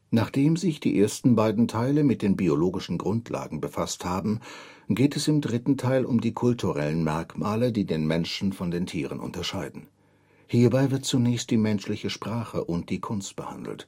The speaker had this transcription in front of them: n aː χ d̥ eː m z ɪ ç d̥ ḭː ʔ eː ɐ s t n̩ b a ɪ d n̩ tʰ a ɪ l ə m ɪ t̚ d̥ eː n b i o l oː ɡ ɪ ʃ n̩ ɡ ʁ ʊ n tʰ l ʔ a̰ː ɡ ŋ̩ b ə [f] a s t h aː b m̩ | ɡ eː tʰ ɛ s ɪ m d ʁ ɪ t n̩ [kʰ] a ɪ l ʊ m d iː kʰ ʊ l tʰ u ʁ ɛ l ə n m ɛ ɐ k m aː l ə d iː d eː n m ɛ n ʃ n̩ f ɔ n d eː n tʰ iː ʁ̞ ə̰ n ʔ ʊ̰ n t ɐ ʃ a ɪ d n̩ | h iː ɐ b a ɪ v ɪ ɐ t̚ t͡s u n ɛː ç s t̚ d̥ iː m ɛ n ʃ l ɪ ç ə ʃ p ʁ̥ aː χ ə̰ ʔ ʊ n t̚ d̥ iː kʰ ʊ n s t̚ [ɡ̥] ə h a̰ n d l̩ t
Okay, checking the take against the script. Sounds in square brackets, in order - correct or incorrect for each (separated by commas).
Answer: correct, incorrect, incorrect